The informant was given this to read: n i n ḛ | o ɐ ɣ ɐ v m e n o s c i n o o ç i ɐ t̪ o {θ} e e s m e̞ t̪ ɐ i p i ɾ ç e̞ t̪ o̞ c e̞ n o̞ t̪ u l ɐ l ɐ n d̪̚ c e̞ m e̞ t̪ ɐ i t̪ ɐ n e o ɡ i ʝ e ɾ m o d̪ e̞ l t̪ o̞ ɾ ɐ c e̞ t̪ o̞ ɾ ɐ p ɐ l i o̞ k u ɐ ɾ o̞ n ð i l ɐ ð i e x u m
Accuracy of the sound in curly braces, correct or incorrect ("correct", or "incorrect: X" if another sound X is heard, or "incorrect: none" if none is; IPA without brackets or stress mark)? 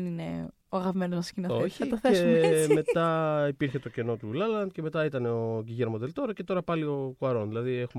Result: correct